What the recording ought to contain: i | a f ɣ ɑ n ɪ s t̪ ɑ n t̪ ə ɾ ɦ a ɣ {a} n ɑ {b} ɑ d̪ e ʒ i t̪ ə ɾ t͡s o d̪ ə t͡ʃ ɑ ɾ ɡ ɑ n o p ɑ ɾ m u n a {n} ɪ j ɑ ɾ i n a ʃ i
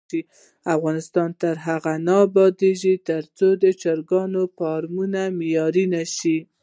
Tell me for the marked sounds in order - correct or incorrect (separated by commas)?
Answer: correct, correct, incorrect